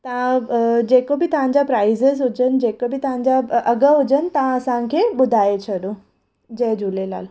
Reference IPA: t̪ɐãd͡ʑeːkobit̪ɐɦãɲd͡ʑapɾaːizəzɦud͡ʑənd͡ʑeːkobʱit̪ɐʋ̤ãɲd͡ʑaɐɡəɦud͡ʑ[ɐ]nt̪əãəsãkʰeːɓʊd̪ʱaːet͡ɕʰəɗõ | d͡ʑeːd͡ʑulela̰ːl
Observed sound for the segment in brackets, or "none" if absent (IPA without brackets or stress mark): ə